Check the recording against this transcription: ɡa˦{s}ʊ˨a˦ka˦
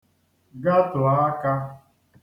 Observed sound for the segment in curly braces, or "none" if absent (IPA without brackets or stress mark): t